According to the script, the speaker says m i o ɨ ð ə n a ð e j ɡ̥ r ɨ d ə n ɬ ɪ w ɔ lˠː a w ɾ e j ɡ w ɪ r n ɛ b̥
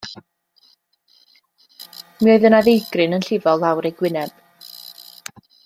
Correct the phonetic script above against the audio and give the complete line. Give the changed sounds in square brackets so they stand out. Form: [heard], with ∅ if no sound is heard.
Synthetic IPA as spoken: m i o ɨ ð ə n a ð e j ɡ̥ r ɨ [n] ə n ɬ ɪ [v] ɔ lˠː a w ɾ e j ɡ w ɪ [∅] n ɛ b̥

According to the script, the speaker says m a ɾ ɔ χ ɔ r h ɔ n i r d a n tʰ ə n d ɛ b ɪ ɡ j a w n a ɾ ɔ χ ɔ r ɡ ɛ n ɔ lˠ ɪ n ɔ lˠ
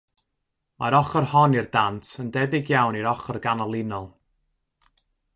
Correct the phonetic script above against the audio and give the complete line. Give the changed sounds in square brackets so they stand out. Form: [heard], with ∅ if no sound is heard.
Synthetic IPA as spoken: m a ɾ ɔ χ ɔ r h ɔ n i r d a n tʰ ə n d ɛ b ɪ ɡ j a w n [i] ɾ ɔ χ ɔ r ɡ [a] n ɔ lˠ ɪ n ɔ lˠ

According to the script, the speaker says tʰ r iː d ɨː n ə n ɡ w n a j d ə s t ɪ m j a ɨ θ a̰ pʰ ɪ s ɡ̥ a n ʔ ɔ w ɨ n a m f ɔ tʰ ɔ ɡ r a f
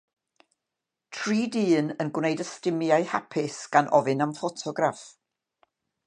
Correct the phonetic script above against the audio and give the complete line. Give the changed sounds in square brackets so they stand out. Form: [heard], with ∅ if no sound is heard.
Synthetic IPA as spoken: tʰ r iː d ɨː n ə n ɡ w n [e] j d ə s t ɪ m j a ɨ [h] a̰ pʰ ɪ s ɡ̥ a n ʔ ɔ [v] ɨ n a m f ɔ tʰ ɔ ɡ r a f

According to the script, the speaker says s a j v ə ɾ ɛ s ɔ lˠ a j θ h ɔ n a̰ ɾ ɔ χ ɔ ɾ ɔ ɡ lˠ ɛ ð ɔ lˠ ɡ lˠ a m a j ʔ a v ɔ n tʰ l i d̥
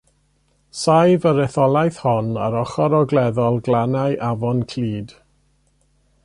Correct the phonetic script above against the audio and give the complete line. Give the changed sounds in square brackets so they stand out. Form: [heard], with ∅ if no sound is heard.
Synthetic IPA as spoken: s a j v ə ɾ ɛ [θ] ɔ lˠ a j θ h ɔ n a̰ ɾ ɔ χ ɔ ɾ ɔ ɡ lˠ ɛ ð ɔ lˠ ɡ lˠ a [n] a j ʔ a v ɔ n [kʰ] l [iː] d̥

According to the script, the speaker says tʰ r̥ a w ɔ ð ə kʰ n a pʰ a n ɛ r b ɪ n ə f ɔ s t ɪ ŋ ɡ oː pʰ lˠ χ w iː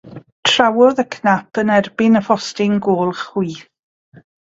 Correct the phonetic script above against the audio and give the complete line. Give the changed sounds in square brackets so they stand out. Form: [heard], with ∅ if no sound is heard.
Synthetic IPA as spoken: tʰ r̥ a w ɔ ð ə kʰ n a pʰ [ə] n ɛ r b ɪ n ə f ɔ s t ɪ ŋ ɡ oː [∅] lˠ χ w iː

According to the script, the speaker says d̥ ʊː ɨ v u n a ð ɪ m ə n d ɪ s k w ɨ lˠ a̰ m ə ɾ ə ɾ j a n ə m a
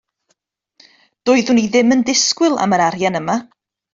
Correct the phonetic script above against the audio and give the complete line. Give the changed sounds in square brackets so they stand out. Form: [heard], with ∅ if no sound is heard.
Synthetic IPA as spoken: d̥ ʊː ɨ [ð] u n [i] ð ɪ m ə n d ɪ s k w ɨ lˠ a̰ m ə ɾ [a] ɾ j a n ə m a

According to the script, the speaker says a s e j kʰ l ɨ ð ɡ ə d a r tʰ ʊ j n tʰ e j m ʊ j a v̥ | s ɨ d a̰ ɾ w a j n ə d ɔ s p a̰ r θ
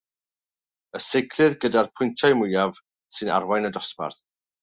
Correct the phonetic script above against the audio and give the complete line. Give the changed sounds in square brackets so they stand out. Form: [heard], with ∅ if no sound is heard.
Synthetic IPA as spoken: [ə] s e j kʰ l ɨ ð ɡ ə d a r [pʰ] ʊ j n tʰ [a] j m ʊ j a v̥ | s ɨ [n] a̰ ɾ w a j n ə d ɔ s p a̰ r θ

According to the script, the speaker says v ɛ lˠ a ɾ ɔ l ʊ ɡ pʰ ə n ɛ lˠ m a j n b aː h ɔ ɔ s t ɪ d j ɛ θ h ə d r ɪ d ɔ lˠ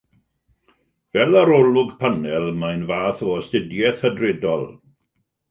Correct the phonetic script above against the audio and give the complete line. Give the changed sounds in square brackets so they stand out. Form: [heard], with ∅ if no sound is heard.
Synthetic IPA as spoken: v ɛ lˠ a ɾ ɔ l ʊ ɡ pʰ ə n ɛ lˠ m a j n [v] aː [θ] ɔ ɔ s t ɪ d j ɛ θ h ə d r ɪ d ɔ lˠ

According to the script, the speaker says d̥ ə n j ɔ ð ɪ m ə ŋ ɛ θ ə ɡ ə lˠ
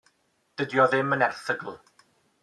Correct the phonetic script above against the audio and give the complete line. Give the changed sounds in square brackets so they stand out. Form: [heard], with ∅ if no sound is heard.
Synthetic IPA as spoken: d̥ ə [d] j ɔ ð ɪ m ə [n] ɛ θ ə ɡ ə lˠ

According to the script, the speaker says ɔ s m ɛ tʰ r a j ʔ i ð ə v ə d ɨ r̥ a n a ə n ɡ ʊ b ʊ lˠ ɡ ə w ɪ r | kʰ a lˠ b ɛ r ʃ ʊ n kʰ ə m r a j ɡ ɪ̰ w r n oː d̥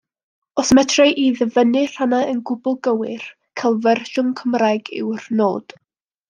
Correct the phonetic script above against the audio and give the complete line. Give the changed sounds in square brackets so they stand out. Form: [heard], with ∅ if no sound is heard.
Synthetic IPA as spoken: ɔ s m ɛ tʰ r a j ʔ i ð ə v ə [n] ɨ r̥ a n a ə n ɡ ʊ b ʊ lˠ ɡ ə w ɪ r | kʰ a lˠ [v] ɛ r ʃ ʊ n kʰ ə m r a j ɡ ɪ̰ w r n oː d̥

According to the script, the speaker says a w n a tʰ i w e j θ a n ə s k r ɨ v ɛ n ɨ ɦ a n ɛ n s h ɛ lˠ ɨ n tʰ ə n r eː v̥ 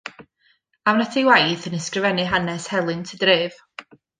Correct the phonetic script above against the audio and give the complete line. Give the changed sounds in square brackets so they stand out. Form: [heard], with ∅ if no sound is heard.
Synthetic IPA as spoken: a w n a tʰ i w [a] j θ [ə] n ə s k r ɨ v ɛ n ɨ ɦ a n ɛ [∅] s h ɛ lˠ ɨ n tʰ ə [d] r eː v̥

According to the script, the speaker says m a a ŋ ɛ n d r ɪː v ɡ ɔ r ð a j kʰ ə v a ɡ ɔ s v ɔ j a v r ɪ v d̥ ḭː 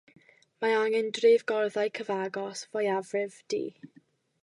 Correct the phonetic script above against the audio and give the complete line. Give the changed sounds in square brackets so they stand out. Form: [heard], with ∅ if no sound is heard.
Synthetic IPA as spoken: m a a ŋ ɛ n d r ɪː v ɡ ɔ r ð a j kʰ ə v a ɡ ɔ s v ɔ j a v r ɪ v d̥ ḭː

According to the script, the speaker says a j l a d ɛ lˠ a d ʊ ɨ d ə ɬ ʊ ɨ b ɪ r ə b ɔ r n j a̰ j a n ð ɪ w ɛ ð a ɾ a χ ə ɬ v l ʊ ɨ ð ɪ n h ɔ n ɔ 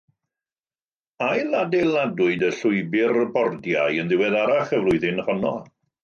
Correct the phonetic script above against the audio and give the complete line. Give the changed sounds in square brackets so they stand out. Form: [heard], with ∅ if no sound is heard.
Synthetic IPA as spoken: a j l a d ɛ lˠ a d ʊ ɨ d ə ɬ ʊ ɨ b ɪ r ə b ɔ r [d] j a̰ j [ə] n ð ɪ w ɛ ð a ɾ a χ ə [∅] v l ʊ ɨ ð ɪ n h ɔ n ɔ

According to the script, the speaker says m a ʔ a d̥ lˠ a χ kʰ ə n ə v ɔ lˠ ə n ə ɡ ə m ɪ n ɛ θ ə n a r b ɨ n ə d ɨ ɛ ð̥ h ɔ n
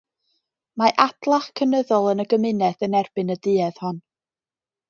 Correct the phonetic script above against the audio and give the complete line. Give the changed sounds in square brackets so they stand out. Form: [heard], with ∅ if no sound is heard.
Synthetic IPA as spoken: m a ʔ a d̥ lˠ a χ kʰ ə n ə [ð] ɔ lˠ ə n ə ɡ ə m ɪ n ɛ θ ə n [ɛ] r b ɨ n ə d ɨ ɛ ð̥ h ɔ n

